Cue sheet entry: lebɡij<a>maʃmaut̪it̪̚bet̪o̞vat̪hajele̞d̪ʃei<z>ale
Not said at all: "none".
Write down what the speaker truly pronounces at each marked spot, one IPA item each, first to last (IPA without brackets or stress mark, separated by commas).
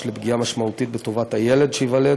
a, v